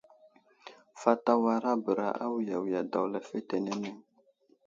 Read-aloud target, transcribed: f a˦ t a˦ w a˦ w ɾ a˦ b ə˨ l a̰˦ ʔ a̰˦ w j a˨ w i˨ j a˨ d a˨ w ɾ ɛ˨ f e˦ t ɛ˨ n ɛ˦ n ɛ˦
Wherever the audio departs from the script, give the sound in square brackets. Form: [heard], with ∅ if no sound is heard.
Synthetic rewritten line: f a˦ t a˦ w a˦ [∅] ɾ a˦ b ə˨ [ɾ] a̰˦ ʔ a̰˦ w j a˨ w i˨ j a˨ d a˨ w [l] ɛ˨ f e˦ t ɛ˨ n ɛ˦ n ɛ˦